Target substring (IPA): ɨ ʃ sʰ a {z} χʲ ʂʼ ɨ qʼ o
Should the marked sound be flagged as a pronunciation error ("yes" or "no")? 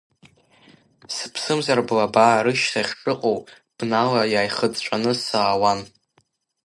yes